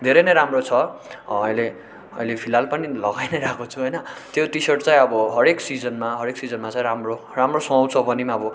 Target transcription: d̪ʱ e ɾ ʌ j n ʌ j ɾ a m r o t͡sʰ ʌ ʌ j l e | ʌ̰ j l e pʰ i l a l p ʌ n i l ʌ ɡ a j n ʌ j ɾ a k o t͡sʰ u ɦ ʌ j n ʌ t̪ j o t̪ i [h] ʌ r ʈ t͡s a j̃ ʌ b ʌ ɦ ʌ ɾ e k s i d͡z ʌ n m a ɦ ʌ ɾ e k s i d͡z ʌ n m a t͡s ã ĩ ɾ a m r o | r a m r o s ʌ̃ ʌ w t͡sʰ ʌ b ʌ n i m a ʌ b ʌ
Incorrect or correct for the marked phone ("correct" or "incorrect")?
incorrect